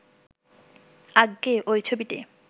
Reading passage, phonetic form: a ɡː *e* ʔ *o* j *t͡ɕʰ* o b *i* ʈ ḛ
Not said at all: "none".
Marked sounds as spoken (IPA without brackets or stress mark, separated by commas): e, o, t͡ɕʰ, i